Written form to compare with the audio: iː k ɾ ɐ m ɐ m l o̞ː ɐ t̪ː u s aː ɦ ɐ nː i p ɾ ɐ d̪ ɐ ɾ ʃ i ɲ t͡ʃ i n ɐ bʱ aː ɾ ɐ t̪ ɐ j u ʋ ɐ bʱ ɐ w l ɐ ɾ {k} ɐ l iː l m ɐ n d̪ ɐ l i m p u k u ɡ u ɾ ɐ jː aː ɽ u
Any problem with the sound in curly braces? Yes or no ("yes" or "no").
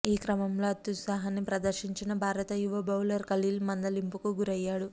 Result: no